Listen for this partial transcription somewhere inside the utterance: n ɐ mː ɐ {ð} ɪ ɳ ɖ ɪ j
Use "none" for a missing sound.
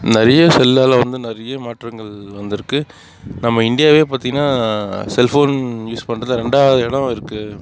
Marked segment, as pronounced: none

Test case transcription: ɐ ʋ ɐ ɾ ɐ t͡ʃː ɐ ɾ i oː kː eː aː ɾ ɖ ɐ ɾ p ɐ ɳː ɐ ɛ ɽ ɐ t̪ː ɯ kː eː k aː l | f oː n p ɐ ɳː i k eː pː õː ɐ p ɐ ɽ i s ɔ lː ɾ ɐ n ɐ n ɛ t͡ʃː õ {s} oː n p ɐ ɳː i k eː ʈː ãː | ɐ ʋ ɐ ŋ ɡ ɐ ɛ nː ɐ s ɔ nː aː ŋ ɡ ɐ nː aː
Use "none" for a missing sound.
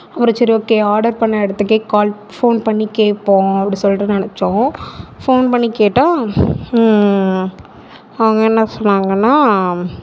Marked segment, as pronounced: f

